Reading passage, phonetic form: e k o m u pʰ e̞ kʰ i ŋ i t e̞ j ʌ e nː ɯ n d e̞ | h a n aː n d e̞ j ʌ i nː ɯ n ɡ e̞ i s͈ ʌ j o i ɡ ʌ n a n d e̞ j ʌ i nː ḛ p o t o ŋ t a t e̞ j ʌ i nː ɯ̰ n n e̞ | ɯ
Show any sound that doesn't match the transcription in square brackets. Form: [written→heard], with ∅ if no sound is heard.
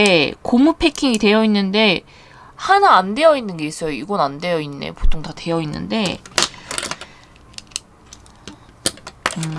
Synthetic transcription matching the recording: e k o m u pʰ e̞ kʰ i ŋ i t e̞ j ʌ [e→i] nː ɯ n d e̞ | h a n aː n d e̞ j ʌ i nː ɯ n ɡ e̞ i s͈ ʌ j o i ɡ ʌ n a n d e̞ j ʌ i nː ḛ p o [t→tʰ] o ŋ t a t e̞ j ʌ i nː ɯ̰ n [n→d] e̞ | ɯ